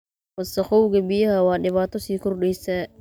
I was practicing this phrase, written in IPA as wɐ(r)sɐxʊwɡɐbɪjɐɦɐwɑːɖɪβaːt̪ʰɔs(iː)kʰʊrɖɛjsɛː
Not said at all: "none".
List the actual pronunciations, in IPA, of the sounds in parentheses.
none, iː

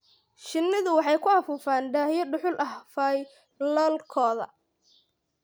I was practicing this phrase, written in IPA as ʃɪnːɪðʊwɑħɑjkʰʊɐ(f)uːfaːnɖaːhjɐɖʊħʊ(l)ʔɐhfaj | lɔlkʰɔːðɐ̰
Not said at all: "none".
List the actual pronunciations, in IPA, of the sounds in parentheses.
f, l

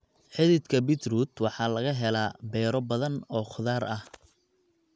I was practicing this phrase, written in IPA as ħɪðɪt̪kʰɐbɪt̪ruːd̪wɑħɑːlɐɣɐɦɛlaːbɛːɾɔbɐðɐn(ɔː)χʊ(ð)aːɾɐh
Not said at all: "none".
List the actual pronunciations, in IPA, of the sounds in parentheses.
ɔː, ð

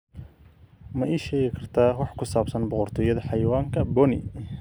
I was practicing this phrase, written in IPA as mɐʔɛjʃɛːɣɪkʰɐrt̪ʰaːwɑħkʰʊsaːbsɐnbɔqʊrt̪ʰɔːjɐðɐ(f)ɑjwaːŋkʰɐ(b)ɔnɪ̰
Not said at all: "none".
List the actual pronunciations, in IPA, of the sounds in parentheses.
ħ, b

